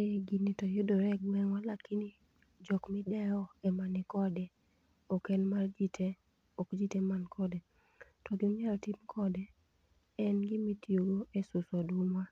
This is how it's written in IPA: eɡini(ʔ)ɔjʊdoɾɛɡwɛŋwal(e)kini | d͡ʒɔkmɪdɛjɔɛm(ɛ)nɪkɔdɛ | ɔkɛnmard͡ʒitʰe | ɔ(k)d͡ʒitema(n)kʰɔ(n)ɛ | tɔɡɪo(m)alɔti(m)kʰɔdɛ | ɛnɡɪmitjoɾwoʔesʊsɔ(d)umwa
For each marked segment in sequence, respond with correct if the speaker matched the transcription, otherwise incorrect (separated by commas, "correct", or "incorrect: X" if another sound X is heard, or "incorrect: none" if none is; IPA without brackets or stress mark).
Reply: incorrect: t, incorrect: a, incorrect: a, correct, correct, incorrect: d, incorrect: ɲ, correct, correct